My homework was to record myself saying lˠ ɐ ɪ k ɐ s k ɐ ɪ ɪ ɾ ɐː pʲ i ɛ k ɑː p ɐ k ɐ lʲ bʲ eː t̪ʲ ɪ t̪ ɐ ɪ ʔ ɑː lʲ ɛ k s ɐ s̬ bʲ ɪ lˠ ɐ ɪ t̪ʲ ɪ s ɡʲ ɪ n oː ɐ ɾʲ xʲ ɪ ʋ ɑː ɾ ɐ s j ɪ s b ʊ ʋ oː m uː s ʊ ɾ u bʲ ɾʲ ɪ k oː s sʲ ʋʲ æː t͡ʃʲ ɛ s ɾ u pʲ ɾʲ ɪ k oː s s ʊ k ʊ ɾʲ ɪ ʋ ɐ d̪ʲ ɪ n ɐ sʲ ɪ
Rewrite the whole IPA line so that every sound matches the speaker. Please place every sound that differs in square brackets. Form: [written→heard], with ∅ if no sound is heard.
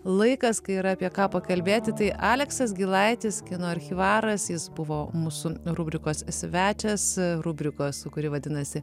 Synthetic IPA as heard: lˠ ɐ ɪ k ɐ s k ɐ ɪ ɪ ɾ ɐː pʲ i ɛ k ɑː p ɐ k ɐ lʲ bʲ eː t̪ʲ ɪ t̪ ɐ ɪ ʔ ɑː lʲ ɛ k s ɐ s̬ [bʲ→ɡʲ] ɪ lˠ ɐ ɪ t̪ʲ ɪ s [ɡʲ→kʲ] ɪ n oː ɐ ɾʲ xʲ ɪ ʋ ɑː ɾ ɐ s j ɪ s b ʊ ʋ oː m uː s ʊ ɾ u bʲ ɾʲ ɪ k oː s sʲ ʋʲ æː t͡ʃʲ ɛ s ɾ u [pʲ→bʲ] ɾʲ ɪ k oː s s ʊ k ʊ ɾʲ ɪ ʋ ɐ d̪ʲ ɪ n ɐ sʲ ɪ